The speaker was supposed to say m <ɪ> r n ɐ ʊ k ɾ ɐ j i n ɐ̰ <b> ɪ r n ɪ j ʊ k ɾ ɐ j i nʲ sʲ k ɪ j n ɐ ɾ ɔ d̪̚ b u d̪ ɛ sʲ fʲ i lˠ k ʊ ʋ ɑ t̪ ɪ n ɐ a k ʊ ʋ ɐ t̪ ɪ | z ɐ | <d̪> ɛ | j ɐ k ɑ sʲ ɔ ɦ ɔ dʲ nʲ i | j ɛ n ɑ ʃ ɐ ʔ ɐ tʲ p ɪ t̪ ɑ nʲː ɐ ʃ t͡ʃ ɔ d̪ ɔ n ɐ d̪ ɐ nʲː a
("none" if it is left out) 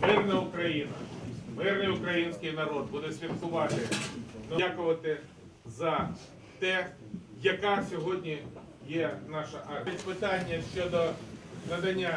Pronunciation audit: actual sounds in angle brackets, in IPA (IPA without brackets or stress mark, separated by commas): ɪ, m, t̪